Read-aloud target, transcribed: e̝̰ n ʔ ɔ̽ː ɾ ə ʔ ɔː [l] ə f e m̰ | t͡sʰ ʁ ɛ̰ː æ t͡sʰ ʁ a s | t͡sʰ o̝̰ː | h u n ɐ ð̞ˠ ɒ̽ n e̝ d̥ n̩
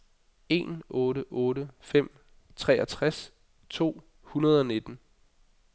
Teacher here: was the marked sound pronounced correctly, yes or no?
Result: no